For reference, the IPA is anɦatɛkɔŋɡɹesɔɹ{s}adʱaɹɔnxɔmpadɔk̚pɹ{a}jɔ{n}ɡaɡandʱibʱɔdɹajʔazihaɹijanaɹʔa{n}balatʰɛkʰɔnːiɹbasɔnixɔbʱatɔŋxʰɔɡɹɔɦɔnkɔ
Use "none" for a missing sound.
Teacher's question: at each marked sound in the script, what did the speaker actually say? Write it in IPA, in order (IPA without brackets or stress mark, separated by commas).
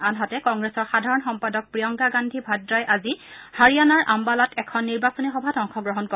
x, i, ŋ, m